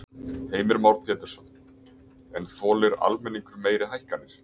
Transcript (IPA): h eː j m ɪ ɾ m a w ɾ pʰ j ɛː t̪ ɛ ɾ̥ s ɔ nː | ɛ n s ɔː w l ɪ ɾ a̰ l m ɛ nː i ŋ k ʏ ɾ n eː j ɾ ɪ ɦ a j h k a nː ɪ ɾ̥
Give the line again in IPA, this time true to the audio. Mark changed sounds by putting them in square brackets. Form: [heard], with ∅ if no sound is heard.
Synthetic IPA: h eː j m ɪ ɾ m a w ɾ pʰ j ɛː t̪ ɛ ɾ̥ s ɔ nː | ɛ n [θ] ɔː [∅] l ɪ ɾ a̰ l m ɛ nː i ŋ k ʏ ɾ [m] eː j ɾ ɪ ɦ a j h k a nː ɪ ɾ̥

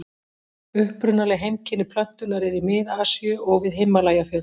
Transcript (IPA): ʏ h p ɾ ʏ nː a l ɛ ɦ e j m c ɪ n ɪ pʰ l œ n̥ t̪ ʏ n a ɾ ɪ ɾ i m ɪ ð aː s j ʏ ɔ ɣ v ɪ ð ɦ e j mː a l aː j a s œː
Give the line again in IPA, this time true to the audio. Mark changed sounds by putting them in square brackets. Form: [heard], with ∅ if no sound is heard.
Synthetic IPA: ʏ h p ɾ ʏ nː a l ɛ ɦ e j m c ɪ n ɪ pʰ l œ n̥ t̪ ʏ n a ɾ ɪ ɾ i m ɪ ð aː s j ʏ ɔ ɣ v ɪ ð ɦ e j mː a l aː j a [f] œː

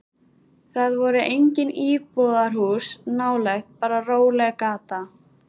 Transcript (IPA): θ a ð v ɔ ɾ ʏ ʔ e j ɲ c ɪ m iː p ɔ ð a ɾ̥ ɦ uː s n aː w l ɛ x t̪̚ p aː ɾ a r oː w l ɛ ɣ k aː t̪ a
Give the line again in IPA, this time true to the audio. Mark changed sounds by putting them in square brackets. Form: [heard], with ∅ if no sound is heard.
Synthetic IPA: θ a ð v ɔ ɾ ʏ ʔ e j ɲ c ɪ [n] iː p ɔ ð a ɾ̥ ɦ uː s n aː w l ɛ x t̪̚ p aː ɾ a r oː w l ɛ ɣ k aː t̪ a

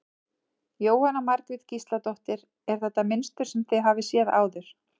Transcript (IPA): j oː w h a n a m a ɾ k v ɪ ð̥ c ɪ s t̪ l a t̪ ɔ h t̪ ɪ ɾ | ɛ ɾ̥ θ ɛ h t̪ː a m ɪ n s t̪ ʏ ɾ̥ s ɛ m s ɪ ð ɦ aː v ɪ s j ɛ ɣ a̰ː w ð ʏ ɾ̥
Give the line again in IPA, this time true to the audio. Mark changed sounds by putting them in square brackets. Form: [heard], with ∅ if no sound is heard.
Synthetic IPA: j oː w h a n a m a ɾ k v ɪ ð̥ c [i] s t̪ l a t̪ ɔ h t̪ ɪ ɾ | ɛ ɾ̥ θ ɛ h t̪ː a m ɪ n s t̪ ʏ ɾ̥ s ɛ m [θ] ɪ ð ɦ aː v ɪ s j ɛ [ð] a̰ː w ð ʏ ɾ̥

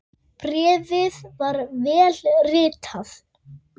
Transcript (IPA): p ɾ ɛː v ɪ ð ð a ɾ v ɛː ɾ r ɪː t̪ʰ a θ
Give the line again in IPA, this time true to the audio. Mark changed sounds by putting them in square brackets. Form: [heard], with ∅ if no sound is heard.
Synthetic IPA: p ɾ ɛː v ɪ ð [v] a ɾ v ɛː [l] r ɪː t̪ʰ a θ

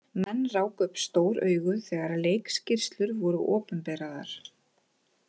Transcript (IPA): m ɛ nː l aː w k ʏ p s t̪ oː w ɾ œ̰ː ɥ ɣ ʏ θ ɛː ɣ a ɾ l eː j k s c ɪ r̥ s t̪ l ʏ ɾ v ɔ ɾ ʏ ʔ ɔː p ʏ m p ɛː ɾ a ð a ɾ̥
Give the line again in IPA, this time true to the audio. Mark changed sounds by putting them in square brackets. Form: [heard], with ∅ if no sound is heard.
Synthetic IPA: m ɛ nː [r] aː w k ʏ p s t̪ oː w ɾ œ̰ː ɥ ɣ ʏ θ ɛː ɣ a ɾ l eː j k s c ɪ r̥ s t̪ l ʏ ɾ v ɔ ɾ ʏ ʔ ɔː p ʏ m p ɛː ɾ a ð a ɾ̥

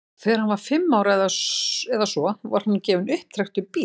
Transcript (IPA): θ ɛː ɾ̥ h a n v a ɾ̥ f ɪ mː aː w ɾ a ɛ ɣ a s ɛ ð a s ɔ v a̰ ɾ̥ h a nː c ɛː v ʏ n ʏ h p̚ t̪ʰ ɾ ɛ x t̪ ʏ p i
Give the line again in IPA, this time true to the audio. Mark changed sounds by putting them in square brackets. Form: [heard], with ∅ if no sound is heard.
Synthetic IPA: θ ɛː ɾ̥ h a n v a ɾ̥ f ɪ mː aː w ɾ a ɛ [ð] a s ɛ ð a s ɔ v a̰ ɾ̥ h a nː c ɛː v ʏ n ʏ h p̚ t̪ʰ ɾ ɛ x t̪ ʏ p i

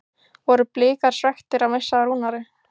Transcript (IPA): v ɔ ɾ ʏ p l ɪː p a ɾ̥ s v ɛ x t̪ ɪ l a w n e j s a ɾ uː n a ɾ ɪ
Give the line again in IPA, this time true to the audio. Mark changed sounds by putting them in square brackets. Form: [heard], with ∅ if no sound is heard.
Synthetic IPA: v ɔ ɾ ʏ p l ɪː [k] a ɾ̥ s v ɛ x t̪ ɪ [ɾ] a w [m] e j s a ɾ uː n a ɾ ɪ

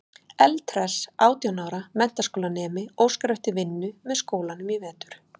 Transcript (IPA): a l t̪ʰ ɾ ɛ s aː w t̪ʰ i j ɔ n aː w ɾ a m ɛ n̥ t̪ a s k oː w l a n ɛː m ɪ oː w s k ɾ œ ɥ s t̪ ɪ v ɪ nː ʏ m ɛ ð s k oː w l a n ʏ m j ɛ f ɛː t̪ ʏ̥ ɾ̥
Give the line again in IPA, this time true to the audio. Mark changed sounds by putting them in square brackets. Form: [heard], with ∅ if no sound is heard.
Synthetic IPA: [ɛ] l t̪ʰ ɾ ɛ s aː w [t̪] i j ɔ n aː w ɾ a m ɛ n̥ t̪ a s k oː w l a n ɛː m ɪ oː w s k ɾ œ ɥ [h] t̪ ɪ v ɪ nː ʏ m ɛ ð s k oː w l a n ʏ m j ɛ [v] ɛː t̪ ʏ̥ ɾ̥

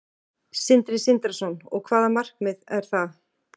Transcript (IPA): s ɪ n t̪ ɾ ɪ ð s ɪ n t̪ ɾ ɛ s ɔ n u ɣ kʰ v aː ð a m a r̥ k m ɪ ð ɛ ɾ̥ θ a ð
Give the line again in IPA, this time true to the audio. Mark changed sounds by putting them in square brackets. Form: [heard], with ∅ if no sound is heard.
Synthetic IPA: s ɪ n t̪ ɾ ɪ [∅] s ɪ n t̪ ɾ [a] s ɔ n [ɔ] ɣ kʰ v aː ð a m a r̥ k m ɪ ð ɛ ɾ̥ θ a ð

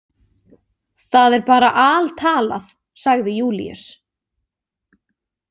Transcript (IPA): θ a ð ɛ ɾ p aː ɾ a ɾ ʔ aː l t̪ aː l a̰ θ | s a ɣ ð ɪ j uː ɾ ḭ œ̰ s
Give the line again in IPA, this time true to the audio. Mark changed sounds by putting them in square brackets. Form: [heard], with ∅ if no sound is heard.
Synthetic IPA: θ a ð ɛ ɾ p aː ɾ a [∅] ʔ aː l [t̪ʰ] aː l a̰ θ | s a ɣ ð ɪ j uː [l] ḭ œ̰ s

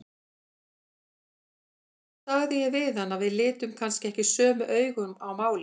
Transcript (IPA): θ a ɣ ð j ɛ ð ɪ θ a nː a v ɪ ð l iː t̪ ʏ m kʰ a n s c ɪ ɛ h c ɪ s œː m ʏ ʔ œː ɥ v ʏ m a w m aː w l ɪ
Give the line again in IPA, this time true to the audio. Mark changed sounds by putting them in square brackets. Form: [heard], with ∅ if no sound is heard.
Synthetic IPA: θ a ɣ ð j ɛ [v] ɪ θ a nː a v ɪ ð l [ɪː] t̪ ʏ m kʰ a n s c ɪ ɛ h c ɪ s œː m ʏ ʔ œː ɥ [ɣ] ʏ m a w m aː w l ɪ

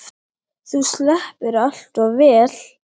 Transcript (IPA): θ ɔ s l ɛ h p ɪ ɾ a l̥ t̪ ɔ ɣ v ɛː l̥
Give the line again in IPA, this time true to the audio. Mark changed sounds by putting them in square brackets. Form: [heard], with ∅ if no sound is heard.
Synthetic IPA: θ [u] s l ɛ h p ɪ ɾ a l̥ t̪ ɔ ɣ v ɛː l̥

